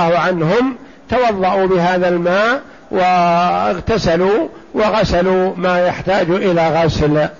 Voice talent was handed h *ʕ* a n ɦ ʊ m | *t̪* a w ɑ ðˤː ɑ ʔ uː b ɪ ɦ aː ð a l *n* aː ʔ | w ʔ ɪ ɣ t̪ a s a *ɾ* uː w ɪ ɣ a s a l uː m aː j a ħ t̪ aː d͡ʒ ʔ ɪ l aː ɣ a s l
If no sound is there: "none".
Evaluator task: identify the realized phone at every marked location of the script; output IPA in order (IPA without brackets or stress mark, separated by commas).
ʕ, t̪, m, l